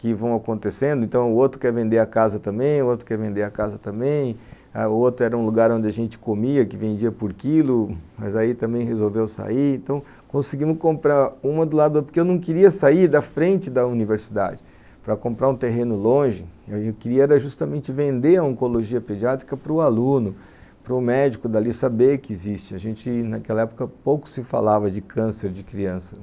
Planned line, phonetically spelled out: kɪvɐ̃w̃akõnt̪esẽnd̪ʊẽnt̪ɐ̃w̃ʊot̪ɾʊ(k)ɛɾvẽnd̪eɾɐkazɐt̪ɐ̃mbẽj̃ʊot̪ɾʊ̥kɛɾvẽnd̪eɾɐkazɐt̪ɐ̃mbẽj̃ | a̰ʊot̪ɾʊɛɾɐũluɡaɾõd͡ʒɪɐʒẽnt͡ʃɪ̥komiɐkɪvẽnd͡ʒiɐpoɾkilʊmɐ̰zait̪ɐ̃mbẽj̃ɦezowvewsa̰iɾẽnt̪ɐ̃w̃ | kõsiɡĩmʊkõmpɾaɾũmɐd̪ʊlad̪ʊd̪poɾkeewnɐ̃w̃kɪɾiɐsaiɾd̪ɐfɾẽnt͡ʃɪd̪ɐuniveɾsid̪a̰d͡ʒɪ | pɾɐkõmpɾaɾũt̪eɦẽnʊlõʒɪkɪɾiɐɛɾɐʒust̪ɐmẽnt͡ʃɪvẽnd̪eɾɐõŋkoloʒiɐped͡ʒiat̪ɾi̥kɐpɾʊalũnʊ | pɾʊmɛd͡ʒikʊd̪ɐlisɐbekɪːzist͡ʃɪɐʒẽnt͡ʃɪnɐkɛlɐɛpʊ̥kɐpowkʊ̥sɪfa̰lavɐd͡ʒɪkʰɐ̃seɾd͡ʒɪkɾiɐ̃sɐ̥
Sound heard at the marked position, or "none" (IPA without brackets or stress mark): k